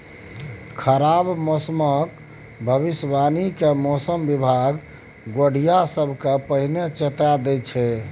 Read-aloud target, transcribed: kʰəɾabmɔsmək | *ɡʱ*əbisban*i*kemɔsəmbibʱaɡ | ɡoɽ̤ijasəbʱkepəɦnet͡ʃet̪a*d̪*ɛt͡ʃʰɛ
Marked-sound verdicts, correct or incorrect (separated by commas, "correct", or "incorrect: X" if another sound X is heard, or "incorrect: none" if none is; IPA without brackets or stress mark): incorrect: bʱ, correct, correct